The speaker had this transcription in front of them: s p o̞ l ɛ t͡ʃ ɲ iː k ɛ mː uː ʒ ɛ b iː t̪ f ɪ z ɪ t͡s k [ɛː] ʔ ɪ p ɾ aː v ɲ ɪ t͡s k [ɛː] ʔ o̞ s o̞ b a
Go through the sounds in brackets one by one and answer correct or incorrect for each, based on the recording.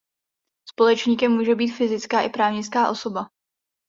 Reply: incorrect, incorrect

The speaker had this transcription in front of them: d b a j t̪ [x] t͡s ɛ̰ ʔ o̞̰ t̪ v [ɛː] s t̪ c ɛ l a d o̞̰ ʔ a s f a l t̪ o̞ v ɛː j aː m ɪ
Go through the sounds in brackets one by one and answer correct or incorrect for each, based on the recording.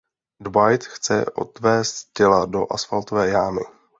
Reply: correct, correct

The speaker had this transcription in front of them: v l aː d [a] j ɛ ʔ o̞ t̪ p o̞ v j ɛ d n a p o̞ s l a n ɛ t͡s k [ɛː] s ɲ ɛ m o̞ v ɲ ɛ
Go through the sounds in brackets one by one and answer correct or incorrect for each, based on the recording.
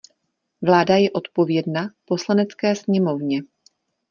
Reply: correct, correct

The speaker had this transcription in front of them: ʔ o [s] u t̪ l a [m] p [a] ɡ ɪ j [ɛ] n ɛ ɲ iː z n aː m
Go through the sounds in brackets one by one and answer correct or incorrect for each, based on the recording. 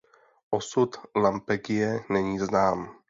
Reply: correct, correct, incorrect, correct

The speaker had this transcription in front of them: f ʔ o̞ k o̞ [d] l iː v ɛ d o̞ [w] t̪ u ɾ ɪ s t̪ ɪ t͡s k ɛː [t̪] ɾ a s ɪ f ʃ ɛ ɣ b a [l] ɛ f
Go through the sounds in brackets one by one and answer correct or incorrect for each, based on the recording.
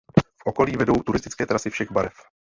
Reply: incorrect, correct, correct, incorrect

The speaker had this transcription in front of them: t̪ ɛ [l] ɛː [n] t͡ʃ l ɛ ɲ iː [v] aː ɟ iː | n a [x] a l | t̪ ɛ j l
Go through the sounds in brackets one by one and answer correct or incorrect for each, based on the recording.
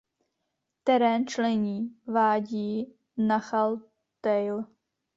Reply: incorrect, correct, correct, correct

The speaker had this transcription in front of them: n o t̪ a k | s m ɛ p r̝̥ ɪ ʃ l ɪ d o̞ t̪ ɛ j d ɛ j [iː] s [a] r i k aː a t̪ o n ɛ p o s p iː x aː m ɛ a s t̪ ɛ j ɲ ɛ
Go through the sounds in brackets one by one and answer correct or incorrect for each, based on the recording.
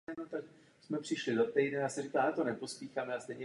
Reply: incorrect, incorrect

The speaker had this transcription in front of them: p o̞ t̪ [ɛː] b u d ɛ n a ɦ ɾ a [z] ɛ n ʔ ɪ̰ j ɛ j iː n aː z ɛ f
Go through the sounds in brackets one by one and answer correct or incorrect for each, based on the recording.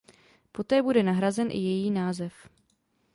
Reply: correct, correct

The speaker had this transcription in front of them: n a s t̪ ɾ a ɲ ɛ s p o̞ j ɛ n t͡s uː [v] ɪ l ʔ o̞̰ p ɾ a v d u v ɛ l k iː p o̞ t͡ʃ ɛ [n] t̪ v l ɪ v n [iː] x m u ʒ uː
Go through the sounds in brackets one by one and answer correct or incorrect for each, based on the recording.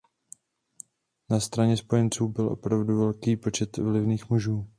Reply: incorrect, incorrect, correct

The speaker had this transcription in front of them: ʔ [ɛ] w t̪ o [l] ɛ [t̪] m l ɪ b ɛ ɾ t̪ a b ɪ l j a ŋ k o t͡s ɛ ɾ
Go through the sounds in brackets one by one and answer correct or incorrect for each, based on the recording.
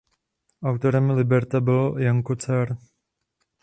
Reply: incorrect, incorrect, incorrect

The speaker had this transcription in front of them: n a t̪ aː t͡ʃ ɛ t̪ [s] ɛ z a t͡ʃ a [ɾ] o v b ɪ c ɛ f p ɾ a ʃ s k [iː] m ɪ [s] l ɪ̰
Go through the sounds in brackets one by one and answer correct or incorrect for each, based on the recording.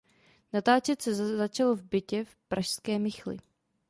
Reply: correct, incorrect, incorrect, incorrect

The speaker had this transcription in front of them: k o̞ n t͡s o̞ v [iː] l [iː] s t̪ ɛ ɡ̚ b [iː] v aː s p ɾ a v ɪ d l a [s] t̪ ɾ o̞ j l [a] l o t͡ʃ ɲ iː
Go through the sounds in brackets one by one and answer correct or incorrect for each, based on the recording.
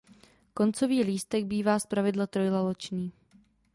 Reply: correct, correct, correct, incorrect, correct

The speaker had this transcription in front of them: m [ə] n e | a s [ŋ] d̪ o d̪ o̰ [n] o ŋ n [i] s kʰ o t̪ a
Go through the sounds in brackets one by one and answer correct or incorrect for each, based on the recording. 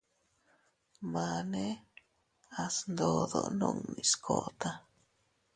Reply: incorrect, incorrect, correct, correct

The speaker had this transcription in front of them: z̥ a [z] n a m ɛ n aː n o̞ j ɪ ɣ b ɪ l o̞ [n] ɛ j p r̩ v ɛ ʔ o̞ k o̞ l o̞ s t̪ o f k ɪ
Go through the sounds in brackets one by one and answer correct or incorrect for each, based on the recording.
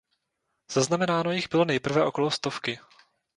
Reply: correct, correct

